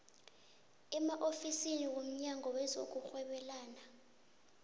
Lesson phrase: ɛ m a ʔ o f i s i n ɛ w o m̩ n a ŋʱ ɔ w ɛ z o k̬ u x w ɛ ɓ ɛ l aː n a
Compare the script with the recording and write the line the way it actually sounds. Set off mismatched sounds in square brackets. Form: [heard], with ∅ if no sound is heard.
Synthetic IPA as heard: ɛ m a ʔ o f i s i n [i] w o m̩ [ɲ] a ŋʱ ɔ w ɛ z o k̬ u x w ɛ ɓ ɛ l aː n a